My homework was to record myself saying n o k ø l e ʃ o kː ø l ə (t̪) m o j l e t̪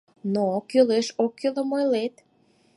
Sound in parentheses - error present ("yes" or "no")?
yes